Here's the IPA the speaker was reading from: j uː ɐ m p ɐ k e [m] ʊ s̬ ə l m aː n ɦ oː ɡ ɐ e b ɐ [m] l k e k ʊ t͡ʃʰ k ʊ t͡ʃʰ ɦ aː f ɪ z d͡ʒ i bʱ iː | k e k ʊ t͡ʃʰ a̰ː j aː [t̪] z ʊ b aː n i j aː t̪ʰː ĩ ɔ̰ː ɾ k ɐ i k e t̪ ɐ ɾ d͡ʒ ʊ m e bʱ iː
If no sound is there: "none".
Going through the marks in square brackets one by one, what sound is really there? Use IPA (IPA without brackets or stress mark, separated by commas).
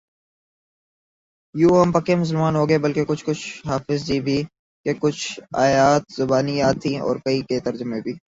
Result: m, none, t̪